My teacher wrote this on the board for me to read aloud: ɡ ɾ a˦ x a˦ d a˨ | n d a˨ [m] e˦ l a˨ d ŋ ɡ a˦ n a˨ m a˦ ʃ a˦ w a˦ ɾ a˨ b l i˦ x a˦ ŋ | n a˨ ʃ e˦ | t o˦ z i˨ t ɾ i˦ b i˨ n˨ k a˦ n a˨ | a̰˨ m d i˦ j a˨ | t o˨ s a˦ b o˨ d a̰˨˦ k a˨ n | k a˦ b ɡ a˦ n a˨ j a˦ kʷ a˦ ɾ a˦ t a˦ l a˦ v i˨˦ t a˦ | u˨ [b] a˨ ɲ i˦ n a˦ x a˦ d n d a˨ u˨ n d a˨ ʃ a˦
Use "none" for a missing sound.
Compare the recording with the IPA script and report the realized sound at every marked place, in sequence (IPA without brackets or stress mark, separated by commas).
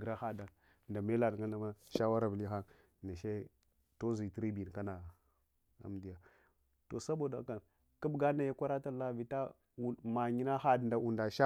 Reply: m, m